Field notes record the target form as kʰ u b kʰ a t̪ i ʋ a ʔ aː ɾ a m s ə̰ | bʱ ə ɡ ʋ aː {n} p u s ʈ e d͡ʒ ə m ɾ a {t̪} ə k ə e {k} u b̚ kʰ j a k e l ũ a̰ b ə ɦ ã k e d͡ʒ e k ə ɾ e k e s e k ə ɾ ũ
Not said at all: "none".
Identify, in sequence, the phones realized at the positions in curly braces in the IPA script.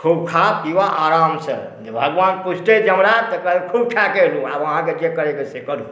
n, t̪, kʰ

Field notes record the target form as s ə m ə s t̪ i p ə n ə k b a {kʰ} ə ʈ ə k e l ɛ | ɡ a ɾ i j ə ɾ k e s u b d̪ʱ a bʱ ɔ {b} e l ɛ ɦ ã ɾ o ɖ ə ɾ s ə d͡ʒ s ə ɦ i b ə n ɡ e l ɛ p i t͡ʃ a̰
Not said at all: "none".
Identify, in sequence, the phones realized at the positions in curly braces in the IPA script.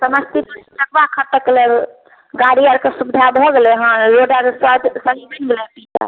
kʰ, ɡ

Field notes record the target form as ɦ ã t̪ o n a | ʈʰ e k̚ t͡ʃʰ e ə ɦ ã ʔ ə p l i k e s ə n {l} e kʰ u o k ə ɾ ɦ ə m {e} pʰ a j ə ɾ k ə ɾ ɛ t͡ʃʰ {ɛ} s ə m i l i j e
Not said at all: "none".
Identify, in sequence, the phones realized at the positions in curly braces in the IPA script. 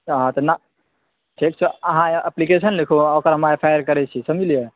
l, a, i

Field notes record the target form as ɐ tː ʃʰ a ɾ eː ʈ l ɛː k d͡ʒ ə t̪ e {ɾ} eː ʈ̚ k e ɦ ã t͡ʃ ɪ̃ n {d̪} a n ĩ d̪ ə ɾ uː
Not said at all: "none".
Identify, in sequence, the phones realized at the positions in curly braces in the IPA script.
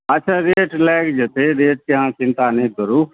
ɾ, t̪

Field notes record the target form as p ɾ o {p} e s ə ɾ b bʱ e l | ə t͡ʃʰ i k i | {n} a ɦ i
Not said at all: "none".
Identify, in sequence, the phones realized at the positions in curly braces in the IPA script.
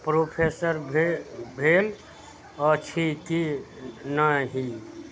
pʰ, n

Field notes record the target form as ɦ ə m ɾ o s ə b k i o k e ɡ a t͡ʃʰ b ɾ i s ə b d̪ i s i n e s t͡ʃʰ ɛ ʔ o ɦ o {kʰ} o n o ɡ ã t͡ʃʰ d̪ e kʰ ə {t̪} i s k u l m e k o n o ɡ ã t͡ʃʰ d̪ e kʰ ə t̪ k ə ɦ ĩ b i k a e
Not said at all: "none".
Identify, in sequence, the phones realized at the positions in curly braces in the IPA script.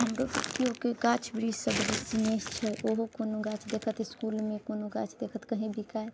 k, t̪

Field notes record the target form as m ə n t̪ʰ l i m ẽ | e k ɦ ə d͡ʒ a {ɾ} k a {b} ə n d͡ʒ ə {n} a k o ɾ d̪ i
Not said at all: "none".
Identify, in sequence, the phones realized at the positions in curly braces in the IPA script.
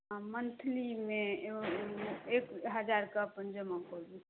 ɾ, p, m

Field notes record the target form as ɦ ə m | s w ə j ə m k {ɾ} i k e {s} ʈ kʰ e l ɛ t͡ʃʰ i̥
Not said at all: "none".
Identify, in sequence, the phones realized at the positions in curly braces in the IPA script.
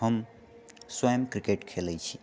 ɾ, none

